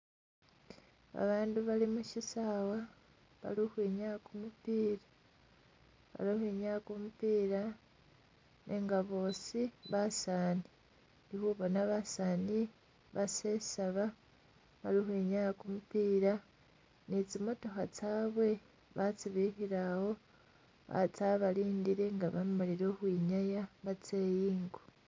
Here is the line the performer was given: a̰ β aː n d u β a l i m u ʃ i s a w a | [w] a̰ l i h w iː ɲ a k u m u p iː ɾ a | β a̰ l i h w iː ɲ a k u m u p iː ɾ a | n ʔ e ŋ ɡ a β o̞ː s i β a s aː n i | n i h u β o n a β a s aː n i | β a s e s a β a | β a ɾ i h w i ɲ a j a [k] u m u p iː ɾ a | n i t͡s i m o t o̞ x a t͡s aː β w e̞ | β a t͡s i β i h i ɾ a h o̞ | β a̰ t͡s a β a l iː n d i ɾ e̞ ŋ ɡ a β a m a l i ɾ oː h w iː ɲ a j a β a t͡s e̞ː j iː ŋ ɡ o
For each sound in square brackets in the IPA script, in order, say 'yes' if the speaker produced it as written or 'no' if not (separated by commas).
no, yes